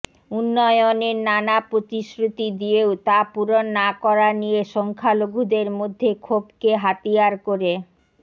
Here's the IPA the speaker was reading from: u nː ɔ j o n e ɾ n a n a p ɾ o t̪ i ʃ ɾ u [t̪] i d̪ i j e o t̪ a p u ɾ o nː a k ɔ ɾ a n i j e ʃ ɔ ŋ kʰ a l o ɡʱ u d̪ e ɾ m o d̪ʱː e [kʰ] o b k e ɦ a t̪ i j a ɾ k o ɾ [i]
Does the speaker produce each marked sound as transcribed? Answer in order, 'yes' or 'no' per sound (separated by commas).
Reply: yes, yes, no